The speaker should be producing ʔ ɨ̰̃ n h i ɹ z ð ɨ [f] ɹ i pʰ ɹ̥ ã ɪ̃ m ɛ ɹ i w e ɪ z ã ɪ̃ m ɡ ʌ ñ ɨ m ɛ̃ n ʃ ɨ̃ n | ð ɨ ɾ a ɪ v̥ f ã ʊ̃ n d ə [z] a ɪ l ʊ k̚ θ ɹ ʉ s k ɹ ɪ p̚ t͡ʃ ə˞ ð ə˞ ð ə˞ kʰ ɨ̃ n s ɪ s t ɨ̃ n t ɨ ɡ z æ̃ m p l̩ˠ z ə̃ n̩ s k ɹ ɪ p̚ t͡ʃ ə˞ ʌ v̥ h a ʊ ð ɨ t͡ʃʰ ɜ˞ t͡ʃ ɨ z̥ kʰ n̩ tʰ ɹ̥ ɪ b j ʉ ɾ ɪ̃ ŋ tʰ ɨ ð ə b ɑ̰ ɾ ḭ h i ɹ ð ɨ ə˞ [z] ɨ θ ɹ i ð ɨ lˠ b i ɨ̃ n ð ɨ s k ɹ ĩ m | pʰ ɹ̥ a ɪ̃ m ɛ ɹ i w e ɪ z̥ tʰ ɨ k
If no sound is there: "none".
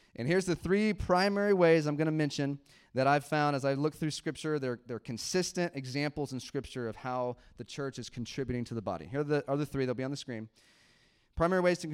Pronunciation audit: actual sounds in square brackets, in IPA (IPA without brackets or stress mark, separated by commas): θ, z, ð